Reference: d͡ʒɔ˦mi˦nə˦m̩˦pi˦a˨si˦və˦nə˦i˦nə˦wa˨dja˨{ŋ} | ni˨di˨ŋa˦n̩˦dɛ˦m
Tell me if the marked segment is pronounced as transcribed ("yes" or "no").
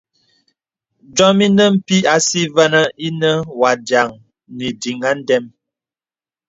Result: yes